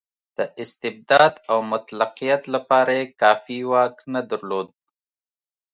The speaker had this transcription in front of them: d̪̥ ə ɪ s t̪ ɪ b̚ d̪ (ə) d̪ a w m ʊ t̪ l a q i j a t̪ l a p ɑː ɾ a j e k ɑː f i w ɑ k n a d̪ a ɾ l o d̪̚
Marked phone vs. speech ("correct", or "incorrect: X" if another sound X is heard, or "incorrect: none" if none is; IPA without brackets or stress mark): incorrect: ɑ